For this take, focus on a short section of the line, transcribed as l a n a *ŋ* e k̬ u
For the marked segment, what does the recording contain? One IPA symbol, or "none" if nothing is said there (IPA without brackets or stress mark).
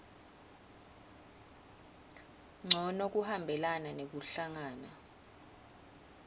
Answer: n